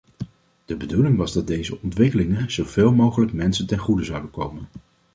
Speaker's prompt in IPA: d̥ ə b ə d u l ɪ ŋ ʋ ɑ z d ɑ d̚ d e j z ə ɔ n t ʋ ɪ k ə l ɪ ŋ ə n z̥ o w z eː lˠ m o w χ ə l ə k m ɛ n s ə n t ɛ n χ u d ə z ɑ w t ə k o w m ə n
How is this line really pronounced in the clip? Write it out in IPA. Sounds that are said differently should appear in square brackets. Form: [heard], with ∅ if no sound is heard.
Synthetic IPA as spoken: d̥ ə b ə d u l ɪ ŋ ʋ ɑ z d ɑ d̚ d e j z ə ɔ n t ʋ ɪ k ə l ɪ ŋ ə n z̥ o w [v] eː lˠ m o w χ ə l ə k m ɛ n s ə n t ɛ n χ u d ə z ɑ w [d] ə k o w m ə n